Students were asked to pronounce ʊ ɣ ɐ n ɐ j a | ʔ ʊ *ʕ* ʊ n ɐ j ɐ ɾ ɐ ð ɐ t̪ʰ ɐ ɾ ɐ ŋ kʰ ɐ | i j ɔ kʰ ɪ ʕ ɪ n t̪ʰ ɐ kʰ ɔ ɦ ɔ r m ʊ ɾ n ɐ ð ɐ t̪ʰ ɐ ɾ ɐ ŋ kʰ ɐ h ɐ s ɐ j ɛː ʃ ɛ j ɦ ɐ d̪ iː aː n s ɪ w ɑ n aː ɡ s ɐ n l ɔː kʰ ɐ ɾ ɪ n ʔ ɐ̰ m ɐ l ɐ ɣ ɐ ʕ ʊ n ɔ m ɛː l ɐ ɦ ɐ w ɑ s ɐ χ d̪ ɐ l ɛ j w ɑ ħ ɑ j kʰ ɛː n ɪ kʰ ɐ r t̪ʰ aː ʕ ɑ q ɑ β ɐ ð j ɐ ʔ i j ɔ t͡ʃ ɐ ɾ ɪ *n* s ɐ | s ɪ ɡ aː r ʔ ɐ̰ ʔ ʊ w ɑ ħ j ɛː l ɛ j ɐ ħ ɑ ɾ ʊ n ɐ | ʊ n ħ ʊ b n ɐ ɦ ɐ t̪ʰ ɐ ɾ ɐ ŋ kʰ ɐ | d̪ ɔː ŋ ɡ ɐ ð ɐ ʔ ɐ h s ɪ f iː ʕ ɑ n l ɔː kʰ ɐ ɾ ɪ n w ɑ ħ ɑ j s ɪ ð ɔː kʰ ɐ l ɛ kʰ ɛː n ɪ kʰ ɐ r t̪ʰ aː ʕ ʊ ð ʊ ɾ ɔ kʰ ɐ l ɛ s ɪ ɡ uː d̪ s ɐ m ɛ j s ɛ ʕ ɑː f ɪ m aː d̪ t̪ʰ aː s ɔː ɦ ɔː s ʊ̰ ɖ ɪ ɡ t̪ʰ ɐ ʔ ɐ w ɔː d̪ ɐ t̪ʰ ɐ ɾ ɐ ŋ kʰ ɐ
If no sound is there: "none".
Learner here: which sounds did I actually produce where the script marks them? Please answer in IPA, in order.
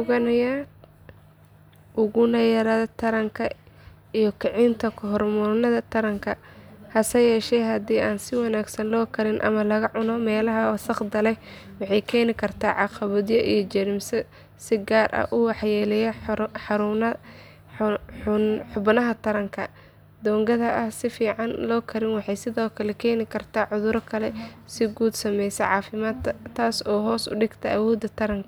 ɣ, m

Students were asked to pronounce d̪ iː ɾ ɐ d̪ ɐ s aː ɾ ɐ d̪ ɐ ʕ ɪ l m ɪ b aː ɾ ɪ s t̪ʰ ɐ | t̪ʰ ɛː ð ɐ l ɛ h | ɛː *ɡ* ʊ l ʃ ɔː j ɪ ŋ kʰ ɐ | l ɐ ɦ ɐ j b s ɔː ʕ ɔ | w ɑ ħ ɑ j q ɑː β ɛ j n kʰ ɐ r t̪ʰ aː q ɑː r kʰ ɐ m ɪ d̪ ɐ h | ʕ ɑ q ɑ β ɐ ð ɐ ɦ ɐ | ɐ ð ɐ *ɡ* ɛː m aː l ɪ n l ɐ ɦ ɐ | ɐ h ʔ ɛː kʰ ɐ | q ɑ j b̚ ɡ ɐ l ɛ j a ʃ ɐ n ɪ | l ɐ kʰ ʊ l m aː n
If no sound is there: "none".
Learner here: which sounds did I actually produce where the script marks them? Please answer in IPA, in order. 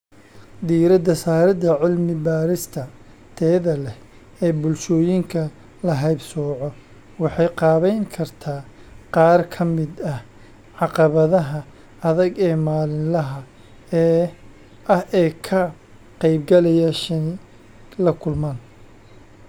b, ɡ

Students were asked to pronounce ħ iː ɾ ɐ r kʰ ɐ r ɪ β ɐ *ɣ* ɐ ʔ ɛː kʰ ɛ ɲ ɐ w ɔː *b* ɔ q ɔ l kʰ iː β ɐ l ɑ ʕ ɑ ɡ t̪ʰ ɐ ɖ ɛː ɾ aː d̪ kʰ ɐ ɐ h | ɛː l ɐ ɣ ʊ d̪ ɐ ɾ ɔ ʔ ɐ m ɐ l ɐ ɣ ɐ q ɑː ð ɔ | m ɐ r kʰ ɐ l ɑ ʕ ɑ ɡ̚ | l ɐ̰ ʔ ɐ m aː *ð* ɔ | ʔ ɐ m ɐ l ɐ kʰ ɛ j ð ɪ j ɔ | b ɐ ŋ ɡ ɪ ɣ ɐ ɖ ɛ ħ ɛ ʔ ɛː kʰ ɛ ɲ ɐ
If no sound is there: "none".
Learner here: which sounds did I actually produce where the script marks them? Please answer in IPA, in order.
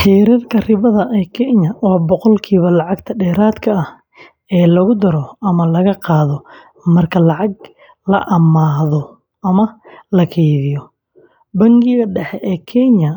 ð, b, ð

